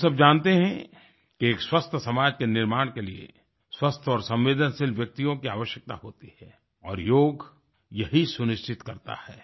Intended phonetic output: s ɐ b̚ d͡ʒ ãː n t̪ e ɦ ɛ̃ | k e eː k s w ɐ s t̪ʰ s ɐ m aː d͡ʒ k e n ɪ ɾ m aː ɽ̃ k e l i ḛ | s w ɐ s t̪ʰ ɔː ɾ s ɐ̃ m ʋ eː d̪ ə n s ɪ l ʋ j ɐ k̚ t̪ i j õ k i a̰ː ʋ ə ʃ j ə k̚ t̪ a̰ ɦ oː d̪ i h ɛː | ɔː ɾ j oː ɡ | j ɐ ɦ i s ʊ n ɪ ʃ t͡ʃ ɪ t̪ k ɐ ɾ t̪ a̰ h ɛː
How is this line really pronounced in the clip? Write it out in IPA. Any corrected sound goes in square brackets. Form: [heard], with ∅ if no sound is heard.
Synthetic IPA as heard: s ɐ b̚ d͡ʒ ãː n t̪ e ɦ ɛ̃ | k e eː k s w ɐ s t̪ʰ s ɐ m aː d͡ʒ k e n ɪ ɾ m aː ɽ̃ k e l i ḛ | s w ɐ s t̪ʰ ɔː ɾ s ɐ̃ m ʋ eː d̪ ə n s ɪ l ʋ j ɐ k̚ t̪ i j õ k i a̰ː ʋ ə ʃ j ə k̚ t̪ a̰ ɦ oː [t̪] i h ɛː | ɔː ɾ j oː ɡ | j ɐ ɦ i s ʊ n ɪ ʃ t͡ʃ ɪ t̪ k ɐ ɾ t̪ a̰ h ɛː

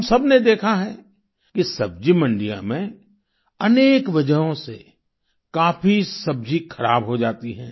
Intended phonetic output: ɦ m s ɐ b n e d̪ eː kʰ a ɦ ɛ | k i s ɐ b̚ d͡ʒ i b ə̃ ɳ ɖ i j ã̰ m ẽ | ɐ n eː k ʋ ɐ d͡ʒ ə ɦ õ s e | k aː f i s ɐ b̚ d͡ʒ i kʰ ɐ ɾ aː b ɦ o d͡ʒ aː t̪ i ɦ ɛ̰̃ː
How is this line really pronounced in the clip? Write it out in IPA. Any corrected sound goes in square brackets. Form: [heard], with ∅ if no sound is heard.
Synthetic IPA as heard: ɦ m s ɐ b n e d̪ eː kʰ a ɦ ɛ | k i s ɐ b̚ d͡ʒ i [m] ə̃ ɳ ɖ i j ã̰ m ẽ | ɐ n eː k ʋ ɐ d͡ʒ ə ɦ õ s e | k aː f i s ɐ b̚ d͡ʒ i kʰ ɐ ɾ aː b ɦ o d͡ʒ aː t̪ i ɦ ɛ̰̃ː

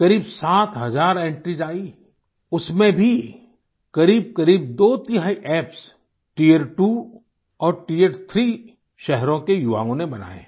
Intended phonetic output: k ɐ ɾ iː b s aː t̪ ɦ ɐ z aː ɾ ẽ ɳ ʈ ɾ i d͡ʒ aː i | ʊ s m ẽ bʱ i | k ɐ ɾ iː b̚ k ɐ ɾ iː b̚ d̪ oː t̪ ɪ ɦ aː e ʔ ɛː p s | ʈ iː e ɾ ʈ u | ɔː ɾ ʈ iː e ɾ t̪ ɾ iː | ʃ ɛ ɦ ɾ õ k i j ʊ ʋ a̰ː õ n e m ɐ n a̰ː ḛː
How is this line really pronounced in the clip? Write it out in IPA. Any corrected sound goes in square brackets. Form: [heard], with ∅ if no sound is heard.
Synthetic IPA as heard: k ɐ ɾ iː b s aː t̪ ɦ ɐ z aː ɾ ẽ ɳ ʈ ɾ i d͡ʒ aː i | ʊ s m ẽ bʱ i | k ɐ ɾ iː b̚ k ɐ ɾ iː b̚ d̪ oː t̪ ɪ ɦ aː [i] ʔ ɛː p s | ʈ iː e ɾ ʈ u | ɔː ɾ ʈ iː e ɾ [t̪ʰ] ɾ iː | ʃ ɛ ɦ ɾ õ k [e] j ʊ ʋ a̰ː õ n e [b] ɐ n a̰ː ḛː

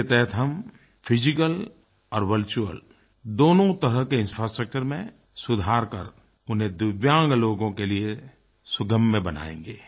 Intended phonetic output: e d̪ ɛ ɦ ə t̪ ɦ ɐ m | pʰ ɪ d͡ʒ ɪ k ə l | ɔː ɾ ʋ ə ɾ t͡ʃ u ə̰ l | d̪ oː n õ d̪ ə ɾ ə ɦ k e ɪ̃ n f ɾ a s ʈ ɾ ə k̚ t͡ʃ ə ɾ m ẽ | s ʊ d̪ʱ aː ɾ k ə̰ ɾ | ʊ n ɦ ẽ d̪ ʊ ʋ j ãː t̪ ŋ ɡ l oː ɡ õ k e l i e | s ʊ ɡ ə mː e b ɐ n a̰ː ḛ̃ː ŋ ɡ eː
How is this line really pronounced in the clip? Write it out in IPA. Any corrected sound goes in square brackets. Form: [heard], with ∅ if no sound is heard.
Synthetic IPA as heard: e [t̪] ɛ ɦ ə t̪ ɦ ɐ m | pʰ ɪ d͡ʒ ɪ k ə l | ɔː ɾ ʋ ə ɾ t͡ʃ u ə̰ l | d̪ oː n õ [t̪] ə ɾ ə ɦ k e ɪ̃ n f ɾ a s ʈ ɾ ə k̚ t͡ʃ ə ɾ m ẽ | s ʊ d̪ʱ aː ɾ k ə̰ ɾ | ʊ n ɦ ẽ d̪ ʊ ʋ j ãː [∅] ŋ ɡ l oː ɡ õ k e l i e | s ʊ ɡ ə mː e b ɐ n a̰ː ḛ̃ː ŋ ɡ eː

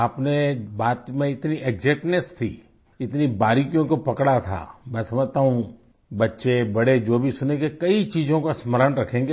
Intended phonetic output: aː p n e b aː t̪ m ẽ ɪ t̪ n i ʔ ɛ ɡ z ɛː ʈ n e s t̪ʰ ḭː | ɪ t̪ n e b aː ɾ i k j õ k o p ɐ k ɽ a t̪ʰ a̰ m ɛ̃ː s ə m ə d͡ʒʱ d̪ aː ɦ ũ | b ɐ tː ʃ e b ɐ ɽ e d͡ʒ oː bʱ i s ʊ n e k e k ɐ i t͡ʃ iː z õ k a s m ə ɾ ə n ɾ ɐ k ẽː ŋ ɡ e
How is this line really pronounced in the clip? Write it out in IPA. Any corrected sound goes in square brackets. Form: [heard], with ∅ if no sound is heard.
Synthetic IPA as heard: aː p n e b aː t̪ m ẽ ɪ t̪ n i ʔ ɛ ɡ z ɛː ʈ n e s t̪ʰ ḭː | ɪ t̪ n [i] b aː ɾ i k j õ k o p ɐ k ɽ a t̪ʰ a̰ m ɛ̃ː s [ɐ] m ə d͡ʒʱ [t̪] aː ɦ ũ | b ɐ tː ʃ e b ɐ ɽ e d͡ʒ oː bʱ i s ʊ n e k e k ɐ i t͡ʃ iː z õ k a s m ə ɾ ə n ɾ ɐ [kʰ] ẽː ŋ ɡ e

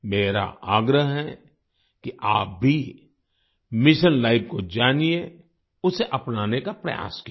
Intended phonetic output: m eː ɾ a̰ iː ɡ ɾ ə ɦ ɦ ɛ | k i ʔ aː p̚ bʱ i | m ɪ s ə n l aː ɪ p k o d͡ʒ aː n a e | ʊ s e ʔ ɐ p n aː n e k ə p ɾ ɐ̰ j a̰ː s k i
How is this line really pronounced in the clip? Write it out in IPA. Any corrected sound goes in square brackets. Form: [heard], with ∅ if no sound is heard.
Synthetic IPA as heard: m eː ɾ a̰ [aː] ɡ ɾ ə ɦ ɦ ɛ | k i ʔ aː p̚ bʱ i | m ɪ [ʃ] ə n l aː ɪ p k o d͡ʒ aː n [i] e | ʊ s e ʔ ɐ p n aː n e k [a] p ɾ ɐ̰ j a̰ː s k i

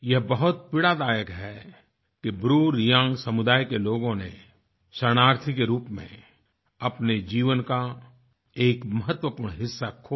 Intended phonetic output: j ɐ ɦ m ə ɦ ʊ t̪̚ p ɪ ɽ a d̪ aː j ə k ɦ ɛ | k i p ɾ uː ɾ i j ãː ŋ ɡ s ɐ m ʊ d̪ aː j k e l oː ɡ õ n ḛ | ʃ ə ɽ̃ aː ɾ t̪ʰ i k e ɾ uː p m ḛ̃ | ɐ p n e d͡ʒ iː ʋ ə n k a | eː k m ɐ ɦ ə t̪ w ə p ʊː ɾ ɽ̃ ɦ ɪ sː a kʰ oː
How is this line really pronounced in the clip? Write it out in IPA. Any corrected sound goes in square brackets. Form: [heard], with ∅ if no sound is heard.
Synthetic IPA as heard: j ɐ ɦ [b] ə ɦ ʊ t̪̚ p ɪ ɽ a d̪ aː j ə k ɦ ɛ | k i [b] ɾ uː ɾ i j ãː ŋ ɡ s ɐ m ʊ d̪ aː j k e l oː ɡ õ n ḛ | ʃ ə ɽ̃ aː ɾ t̪ʰ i k e ɾ uː p m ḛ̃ | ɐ p n e d͡ʒ iː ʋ ə n k a | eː k m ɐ ɦ ə t̪ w ə p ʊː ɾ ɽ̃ ɦ ɪ sː a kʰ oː

